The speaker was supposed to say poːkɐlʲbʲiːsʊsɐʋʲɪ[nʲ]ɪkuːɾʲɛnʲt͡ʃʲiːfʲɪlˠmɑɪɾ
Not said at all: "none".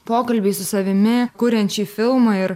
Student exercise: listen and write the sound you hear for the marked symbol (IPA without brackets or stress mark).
mʲ